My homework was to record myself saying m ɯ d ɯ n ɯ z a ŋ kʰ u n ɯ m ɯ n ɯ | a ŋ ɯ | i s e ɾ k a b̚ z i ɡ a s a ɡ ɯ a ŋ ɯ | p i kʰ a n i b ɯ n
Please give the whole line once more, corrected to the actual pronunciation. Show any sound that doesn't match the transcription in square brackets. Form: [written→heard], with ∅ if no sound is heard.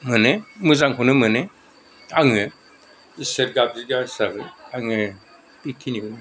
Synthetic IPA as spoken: m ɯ [d→n] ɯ [n→m] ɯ z a ŋ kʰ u n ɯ m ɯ n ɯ | a ŋ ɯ | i s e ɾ [k→ɡ] a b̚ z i ɡ a s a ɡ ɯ a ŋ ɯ | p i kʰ [a→i] n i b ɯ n

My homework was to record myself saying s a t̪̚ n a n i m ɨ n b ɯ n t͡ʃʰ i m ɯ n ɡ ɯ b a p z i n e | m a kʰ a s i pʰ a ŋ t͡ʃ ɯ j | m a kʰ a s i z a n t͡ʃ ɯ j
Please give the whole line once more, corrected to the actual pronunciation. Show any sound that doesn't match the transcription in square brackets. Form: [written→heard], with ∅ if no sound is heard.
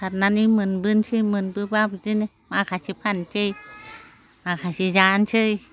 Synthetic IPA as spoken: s a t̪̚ n a n i m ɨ n b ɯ n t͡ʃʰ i m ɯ n [ɡ→b] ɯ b a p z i n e | m a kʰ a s i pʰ a [ŋ→n] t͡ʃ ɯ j | m a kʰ a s i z a n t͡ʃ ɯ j

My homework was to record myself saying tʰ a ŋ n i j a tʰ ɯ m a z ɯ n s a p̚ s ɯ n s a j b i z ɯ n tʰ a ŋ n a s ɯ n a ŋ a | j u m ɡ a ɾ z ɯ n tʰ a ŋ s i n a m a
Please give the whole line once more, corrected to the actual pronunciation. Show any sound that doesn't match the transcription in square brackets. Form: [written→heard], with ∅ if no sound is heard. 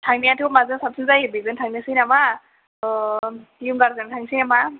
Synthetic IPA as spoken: tʰ a ŋ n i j a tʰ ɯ m a z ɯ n s a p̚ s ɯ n [s→z] a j b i z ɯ n tʰ a ŋ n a s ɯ n a [ŋ→m] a | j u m ɡ a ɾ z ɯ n tʰ a ŋ s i n a m a

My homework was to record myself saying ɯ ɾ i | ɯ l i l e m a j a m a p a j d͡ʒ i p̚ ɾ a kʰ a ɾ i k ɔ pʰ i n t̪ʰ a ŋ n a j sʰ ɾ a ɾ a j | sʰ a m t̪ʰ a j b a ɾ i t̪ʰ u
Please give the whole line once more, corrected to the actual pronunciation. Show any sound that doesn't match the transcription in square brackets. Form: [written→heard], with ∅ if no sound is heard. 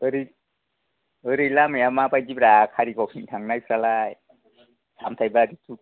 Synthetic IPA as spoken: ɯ ɾ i | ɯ [l→ɾ] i l [e→a] m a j a m a p a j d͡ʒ i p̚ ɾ a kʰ a ɾ i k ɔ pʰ i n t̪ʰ a ŋ n a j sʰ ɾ a [ɾ→l] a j | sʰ a m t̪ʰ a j b a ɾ i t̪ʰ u

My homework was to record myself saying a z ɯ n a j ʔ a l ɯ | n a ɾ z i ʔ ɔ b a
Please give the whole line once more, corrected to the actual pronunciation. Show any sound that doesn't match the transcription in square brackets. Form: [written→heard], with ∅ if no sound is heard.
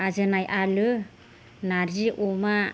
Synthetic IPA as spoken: a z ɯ n a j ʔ a l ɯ | n a ɾ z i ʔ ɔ [b→m] a

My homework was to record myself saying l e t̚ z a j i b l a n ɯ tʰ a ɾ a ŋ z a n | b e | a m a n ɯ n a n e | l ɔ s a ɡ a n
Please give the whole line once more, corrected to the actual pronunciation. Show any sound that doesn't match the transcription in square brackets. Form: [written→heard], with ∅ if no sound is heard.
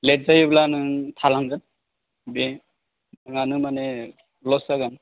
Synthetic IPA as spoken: l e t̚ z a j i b l a n ɯ tʰ a [ɾ→l] a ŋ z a n | b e | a [m→ŋ] a n ɯ [n→m] a n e | l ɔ s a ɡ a n

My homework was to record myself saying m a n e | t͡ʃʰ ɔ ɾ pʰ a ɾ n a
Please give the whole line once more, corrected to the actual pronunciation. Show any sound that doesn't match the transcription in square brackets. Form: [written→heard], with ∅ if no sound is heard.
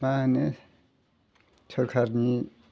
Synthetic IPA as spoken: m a n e | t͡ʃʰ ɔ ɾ [pʰ→kʰ] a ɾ n [a→i]

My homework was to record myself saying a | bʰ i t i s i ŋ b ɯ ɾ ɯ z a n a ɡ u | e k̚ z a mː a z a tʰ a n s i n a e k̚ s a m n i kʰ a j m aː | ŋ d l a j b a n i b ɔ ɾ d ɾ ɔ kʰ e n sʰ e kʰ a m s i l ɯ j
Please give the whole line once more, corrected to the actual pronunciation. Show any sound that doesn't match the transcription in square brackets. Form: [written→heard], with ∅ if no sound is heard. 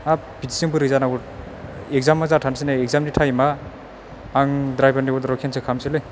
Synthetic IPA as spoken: a | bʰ i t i s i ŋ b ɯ ɾ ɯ z a n a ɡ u | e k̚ z a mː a z a tʰ a n s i n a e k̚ [s→z] a m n i [kʰ→tʰ] a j m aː | ŋ d [l→ɾ] a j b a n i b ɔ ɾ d ɾ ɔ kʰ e n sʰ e kʰ a m s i l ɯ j

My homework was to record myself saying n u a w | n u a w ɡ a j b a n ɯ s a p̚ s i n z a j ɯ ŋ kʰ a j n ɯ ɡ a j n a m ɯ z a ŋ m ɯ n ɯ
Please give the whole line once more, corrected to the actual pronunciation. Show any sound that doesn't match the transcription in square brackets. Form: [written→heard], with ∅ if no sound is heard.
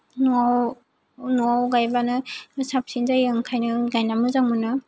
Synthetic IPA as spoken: n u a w | n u a w ɡ a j b a n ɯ s a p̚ s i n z a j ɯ ŋ kʰ a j n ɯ ɡ a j n a m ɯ z a ŋ m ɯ n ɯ

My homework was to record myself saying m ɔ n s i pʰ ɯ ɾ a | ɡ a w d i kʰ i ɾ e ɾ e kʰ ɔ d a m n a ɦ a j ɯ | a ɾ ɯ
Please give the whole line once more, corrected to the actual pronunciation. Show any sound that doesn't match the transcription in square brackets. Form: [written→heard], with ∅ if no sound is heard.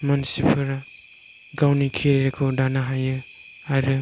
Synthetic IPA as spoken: m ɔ n s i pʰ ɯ ɾ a | ɡ a w [d→n] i kʰ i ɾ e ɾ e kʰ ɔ d a [m→∅] n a ɦ a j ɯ | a ɾ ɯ

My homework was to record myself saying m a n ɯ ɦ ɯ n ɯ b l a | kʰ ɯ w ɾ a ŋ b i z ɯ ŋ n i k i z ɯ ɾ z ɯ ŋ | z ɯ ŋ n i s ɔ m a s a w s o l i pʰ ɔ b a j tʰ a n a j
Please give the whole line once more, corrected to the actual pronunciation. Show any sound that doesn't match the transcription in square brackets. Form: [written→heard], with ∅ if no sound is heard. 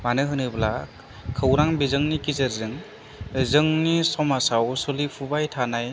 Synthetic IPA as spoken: m a n ɯ ɦ ɯ n ɯ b l a | kʰ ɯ w ɾ a ŋ b i z ɯ ŋ n i k i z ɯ ɾ z ɯ ŋ | z ɯ ŋ n i s ɔ m a s a w s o l i pʰ [ɔ→u] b a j tʰ a n a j

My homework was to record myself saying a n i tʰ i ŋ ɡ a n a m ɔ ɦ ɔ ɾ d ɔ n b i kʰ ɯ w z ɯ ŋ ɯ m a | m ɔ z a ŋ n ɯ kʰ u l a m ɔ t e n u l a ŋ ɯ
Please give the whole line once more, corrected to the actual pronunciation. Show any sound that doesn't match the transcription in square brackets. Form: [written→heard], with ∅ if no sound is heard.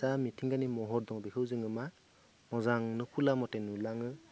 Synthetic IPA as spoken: a [n→m] i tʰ i ŋ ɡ a n [a→i] m ɔ ɦ ɔ ɾ d ɔ [n→ŋ] b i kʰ ɯ w z ɯ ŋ ɯ m a | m ɔ z a ŋ n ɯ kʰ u l a m ɔ t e n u l a ŋ ɯ

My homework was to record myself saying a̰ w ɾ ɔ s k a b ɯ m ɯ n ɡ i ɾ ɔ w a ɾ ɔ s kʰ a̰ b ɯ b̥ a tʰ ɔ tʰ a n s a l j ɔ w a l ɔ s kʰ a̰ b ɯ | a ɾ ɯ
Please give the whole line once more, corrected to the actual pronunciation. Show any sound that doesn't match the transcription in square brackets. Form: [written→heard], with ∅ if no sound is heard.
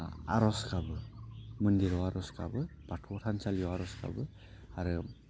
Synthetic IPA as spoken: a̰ [w→∅] ɾ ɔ s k a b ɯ m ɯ n [ɡ→d] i ɾ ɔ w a ɾ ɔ s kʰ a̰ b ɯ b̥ a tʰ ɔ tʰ a n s a l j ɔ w a [l→ɾ] ɔ s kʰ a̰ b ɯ | a ɾ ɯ

